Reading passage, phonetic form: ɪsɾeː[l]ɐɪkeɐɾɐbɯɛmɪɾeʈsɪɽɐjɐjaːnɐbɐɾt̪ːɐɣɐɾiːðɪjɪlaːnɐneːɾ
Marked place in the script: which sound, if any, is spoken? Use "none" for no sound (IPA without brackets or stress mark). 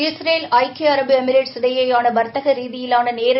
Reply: l